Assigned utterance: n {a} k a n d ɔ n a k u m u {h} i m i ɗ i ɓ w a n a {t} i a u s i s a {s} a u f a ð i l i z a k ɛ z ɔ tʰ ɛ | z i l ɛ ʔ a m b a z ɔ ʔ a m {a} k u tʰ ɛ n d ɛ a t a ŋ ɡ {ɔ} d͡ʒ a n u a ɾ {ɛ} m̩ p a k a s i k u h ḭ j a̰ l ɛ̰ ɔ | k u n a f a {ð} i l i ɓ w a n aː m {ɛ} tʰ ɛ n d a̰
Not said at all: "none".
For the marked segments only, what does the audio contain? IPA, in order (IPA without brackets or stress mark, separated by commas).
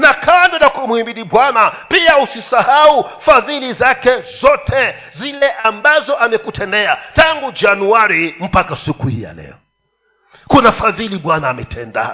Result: a, h, p, h, ɛ, u, i, ð, ɛ